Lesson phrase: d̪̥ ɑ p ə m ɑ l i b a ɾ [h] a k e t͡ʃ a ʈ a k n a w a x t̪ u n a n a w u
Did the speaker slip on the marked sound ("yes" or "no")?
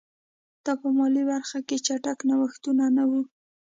yes